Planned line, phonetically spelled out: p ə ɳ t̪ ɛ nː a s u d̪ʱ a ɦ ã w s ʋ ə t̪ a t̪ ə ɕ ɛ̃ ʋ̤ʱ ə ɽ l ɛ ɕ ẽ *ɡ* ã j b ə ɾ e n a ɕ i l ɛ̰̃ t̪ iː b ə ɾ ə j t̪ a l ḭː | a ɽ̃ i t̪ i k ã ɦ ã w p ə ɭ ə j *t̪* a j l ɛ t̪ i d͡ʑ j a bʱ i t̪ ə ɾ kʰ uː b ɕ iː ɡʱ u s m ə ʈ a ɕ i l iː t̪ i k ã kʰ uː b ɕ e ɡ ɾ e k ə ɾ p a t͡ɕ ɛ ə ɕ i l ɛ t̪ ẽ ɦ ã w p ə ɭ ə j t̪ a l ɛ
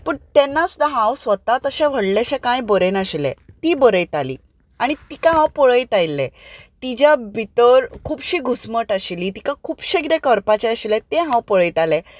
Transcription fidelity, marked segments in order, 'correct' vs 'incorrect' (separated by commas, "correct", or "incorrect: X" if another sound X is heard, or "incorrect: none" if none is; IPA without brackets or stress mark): incorrect: k, correct